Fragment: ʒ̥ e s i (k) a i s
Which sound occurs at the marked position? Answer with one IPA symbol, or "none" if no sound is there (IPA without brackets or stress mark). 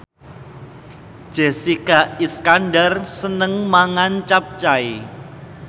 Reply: k